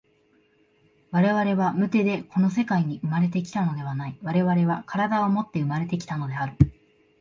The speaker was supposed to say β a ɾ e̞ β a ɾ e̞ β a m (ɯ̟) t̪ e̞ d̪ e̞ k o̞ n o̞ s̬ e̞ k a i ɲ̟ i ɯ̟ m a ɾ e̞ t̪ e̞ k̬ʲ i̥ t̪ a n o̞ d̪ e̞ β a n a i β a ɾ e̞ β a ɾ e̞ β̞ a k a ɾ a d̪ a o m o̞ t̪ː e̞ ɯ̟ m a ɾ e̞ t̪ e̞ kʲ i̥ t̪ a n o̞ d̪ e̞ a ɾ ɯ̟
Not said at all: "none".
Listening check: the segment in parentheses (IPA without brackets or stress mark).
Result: ɯ̟